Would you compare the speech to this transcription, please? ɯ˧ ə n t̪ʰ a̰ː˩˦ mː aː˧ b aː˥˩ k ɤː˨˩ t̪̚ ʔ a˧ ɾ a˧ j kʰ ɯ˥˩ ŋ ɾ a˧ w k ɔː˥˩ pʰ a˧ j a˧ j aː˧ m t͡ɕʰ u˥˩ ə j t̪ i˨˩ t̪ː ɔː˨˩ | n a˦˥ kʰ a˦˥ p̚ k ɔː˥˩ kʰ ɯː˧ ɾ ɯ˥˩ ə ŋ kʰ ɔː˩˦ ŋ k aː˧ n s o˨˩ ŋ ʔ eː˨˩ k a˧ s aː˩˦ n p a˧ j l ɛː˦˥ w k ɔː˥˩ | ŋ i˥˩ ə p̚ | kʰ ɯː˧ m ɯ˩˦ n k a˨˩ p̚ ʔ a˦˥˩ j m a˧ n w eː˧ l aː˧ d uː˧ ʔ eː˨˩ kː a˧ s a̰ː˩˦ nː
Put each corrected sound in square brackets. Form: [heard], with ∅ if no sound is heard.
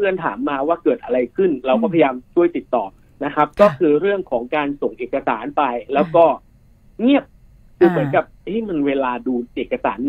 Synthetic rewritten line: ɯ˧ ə n t̪ʰ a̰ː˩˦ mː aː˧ [w] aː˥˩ k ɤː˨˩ t̪̚ ʔ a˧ ɾ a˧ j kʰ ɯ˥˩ [n] ɾ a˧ w k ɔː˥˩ pʰ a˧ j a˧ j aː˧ m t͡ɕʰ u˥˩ ə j t̪ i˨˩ t̪ː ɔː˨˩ | n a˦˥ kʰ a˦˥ p̚ k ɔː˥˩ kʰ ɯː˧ ɾ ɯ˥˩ ə ŋ kʰ ɔː˩˦ ŋ k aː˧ n s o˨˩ ŋ ʔ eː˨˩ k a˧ s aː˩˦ n p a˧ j l ɛː˦˥ w k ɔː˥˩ | ŋ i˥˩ ə p̚ | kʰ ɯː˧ m ɯ˩˦ n k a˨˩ p̚ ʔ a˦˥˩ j m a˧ n w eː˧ l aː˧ d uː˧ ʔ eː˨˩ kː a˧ s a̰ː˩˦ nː